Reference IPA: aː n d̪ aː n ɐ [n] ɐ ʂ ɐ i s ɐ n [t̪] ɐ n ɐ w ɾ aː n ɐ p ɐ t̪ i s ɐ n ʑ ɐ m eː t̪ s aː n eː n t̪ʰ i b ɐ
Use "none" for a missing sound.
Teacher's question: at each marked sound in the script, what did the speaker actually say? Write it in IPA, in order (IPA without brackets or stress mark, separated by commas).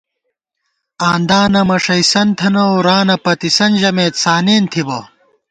m, t̪ʰ